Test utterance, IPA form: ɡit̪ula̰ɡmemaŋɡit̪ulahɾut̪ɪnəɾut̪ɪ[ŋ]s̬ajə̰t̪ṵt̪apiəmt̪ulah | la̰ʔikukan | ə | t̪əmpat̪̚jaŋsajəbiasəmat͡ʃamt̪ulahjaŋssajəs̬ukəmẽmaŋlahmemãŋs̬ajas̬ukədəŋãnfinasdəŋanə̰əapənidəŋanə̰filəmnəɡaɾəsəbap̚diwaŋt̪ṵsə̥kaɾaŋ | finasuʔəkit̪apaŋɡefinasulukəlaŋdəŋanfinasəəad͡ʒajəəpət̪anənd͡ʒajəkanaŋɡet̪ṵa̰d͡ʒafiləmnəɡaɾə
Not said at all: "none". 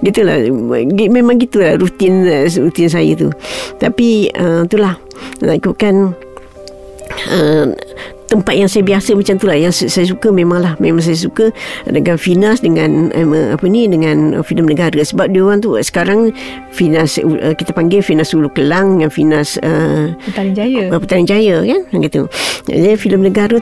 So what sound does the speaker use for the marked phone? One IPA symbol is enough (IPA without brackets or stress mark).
n